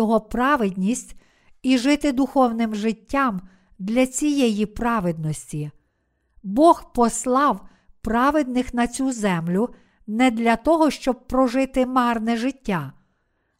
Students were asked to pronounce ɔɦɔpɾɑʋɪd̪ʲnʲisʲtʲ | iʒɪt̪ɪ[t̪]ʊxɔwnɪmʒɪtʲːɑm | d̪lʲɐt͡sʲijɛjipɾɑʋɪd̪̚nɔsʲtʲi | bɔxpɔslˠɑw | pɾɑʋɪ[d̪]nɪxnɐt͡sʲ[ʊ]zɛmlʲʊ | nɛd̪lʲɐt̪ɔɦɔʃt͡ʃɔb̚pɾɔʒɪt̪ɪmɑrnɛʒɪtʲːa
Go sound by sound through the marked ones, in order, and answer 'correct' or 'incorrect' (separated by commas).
incorrect, correct, incorrect